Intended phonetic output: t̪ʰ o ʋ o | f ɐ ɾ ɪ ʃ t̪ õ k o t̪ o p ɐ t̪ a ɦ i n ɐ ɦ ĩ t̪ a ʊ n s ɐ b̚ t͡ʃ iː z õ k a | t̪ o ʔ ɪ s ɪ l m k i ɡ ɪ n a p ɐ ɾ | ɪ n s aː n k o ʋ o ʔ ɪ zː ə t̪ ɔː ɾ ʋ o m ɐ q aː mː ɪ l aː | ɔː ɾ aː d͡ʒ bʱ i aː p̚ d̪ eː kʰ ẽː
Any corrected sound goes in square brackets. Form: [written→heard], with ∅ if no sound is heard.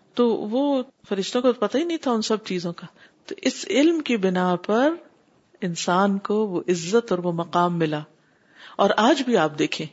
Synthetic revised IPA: [t̪ʰ→t̪] o ʋ o | f ɐ ɾ ɪ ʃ t̪ õ k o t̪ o p ɐ t̪ a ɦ i n ɐ ɦ ĩ [t̪→t̪ʰ] a ʊ n s ɐ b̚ t͡ʃ iː z õ k a | t̪ o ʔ ɪ s ɪ l m k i [ɡ→b] ɪ n a p ɐ ɾ | ɪ n s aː n k o ʋ o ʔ ɪ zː ə t̪ ɔː ɾ ʋ o m ɐ q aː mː ɪ l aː | ɔː ɾ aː d͡ʒ bʱ i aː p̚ d̪ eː kʰ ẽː